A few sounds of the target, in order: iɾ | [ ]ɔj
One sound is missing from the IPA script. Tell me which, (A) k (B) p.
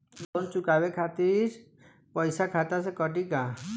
B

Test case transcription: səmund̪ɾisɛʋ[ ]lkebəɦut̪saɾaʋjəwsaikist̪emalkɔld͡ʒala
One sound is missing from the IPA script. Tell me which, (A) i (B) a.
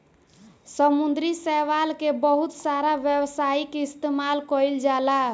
B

